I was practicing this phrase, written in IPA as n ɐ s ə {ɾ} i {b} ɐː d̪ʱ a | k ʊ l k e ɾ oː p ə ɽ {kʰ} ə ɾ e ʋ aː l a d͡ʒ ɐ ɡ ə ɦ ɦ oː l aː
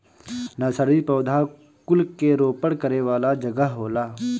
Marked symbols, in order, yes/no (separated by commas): yes, no, no